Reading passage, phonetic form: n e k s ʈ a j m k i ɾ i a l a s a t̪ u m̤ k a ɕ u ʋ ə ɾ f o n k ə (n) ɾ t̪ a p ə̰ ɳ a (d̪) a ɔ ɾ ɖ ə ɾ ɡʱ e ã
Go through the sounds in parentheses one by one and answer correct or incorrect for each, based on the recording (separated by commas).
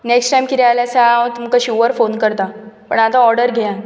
incorrect, incorrect